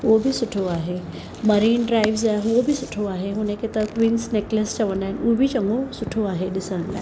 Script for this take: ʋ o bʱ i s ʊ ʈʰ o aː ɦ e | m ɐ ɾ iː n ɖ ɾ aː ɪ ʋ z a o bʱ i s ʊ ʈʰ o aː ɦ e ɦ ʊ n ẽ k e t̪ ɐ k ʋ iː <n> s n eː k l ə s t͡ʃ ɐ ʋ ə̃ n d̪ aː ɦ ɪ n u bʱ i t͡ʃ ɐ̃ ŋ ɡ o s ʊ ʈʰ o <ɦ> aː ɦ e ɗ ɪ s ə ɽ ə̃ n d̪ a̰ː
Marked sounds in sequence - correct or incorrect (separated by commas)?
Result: correct, incorrect